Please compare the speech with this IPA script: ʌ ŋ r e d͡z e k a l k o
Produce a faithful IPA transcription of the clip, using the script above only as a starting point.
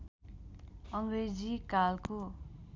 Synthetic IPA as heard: ʌ ŋ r e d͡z i k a l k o